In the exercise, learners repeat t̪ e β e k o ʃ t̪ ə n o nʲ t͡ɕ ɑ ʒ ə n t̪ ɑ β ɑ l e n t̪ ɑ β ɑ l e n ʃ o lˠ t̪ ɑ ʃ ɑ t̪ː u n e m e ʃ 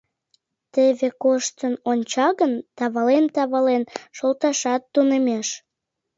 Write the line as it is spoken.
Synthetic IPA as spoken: t̪ e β e k o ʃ t̪ ə n o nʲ t͡ɕ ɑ ɣ ə n t̪ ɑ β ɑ l e n t̪ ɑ β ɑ l e n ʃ o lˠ t̪ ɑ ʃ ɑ t̪ː u n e m e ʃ